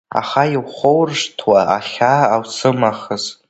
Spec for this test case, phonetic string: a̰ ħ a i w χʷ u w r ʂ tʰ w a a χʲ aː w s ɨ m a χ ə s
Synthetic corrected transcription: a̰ χ a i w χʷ o w r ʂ tʰ w a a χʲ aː w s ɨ m a χ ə z